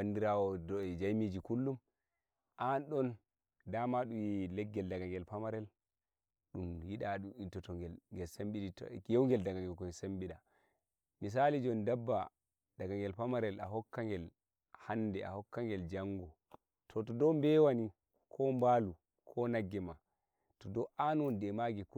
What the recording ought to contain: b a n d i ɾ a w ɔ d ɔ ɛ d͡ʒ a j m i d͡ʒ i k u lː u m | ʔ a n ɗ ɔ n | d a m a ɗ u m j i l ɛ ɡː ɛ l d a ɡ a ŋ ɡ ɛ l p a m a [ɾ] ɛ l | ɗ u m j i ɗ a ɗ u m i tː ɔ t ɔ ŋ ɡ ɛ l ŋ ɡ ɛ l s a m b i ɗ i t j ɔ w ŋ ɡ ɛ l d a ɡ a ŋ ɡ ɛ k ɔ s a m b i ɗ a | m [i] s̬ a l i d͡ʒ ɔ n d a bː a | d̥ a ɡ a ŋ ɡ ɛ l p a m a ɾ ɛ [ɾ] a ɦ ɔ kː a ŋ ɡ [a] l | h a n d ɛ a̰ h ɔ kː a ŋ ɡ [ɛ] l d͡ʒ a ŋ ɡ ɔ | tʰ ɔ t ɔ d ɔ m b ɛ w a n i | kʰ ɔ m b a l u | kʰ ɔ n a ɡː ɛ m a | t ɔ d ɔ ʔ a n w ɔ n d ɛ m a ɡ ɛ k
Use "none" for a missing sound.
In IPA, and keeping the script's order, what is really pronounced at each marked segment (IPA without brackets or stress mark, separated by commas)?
ɾ, i, l, ɛ, ɛ